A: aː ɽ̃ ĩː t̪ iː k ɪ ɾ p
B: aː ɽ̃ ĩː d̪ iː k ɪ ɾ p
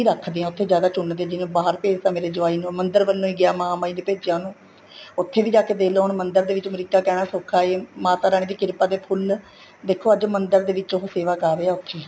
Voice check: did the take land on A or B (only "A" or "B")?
B